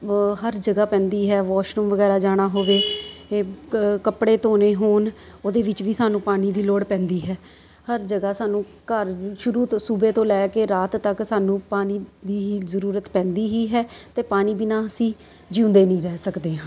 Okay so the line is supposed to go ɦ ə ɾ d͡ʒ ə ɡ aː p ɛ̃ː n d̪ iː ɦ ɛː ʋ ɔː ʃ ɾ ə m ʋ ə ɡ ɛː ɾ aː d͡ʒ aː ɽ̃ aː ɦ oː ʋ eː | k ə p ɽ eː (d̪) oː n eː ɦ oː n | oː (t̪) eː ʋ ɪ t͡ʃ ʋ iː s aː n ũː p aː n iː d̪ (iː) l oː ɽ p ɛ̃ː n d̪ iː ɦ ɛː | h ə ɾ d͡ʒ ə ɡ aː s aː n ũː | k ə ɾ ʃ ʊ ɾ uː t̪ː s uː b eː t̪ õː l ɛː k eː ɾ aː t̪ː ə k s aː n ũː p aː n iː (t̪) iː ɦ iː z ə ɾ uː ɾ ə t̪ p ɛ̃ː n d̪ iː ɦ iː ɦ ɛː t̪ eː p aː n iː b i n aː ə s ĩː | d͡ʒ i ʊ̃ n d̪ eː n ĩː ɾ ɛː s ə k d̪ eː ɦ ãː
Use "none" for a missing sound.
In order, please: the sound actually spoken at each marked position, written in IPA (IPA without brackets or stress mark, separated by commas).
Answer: t̪, d̪, iː, d̪